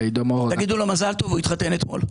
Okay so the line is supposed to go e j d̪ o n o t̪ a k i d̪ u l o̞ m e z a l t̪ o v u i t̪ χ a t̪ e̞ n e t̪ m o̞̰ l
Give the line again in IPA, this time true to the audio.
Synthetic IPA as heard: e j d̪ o m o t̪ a ɡ i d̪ u l o̞ m a z a l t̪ o v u i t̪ χ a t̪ e̞ n e t̪ m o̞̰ l